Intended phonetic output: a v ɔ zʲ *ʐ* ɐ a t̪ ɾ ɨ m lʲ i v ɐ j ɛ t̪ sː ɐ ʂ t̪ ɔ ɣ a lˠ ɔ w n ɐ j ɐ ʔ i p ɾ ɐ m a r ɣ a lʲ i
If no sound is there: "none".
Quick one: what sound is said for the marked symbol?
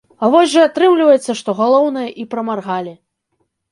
ʐ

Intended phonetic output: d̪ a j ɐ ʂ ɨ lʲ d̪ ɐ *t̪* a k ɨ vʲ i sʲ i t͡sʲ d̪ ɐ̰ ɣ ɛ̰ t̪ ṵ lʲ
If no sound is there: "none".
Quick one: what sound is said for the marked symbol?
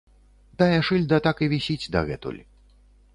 t̪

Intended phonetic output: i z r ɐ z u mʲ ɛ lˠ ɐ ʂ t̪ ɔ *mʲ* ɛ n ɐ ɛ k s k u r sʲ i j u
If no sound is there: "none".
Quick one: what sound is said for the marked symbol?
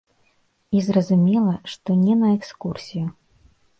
nʲ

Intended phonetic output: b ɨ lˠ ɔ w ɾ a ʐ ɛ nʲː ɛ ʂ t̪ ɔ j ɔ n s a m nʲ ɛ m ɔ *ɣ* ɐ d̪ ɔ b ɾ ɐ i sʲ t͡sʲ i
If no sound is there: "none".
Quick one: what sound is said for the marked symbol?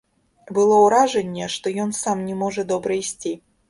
ʐ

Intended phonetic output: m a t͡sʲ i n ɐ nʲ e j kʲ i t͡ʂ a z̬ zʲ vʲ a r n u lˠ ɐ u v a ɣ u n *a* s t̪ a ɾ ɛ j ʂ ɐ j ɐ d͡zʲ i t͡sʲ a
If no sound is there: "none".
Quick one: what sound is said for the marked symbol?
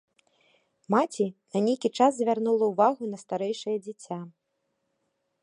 ɐ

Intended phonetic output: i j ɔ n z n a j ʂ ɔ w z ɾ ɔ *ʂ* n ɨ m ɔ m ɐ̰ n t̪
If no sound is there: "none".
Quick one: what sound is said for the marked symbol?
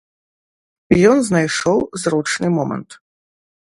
t͡ʂ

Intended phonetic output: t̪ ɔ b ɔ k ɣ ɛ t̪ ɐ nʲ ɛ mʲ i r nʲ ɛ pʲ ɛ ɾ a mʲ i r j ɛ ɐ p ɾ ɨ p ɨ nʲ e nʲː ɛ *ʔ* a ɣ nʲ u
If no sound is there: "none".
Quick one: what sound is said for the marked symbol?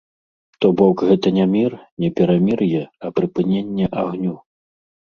ʔ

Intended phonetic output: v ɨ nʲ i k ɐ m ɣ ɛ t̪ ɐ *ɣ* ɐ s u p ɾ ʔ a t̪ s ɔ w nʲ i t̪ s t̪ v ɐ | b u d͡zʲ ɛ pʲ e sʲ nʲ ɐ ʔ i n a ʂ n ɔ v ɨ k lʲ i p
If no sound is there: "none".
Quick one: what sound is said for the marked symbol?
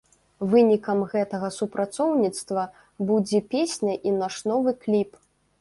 ɣ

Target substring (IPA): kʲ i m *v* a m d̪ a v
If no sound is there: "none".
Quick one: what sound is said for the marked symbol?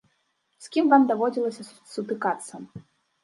v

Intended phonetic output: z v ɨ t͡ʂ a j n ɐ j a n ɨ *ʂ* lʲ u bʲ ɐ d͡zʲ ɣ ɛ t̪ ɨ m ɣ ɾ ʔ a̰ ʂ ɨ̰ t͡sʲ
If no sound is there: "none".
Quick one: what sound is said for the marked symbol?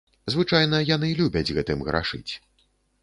none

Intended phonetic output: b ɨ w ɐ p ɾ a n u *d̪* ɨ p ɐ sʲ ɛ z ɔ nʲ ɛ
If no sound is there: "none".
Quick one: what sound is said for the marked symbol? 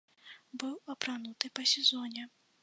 t̪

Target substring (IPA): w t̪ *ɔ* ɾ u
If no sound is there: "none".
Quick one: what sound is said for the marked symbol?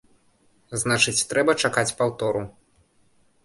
ɔ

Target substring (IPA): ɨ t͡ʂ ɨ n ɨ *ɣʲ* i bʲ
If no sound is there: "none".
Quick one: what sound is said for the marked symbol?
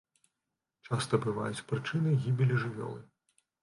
ɣʲ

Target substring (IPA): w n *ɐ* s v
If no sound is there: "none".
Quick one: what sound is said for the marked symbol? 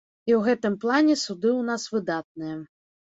a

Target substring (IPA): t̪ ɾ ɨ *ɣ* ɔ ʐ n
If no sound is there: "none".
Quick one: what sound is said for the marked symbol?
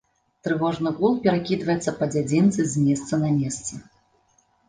v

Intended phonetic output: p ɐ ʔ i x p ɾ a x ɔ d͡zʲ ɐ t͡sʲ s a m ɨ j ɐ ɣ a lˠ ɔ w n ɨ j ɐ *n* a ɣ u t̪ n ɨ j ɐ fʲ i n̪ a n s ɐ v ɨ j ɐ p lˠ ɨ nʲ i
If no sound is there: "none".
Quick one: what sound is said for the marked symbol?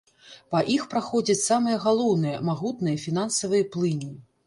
m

